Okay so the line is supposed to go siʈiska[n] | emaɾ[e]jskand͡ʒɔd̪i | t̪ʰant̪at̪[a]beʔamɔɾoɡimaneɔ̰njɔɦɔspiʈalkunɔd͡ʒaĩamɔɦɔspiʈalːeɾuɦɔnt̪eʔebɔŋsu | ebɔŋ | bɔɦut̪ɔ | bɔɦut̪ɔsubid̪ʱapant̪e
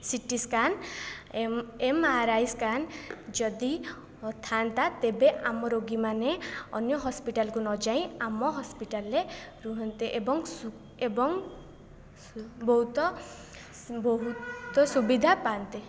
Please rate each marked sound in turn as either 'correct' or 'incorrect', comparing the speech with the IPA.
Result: correct, incorrect: a, incorrect: e

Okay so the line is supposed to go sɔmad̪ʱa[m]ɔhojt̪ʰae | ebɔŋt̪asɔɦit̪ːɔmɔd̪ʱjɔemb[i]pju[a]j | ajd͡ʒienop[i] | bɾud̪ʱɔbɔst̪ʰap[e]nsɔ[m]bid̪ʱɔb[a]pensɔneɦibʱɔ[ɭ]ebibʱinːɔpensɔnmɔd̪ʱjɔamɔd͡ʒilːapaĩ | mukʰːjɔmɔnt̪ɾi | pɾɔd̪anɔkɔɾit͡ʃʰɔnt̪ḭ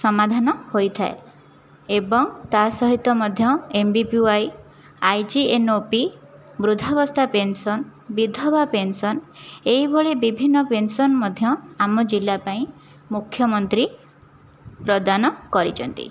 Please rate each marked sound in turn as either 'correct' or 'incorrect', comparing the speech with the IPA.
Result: incorrect: n, correct, correct, correct, correct, incorrect: n, correct, correct

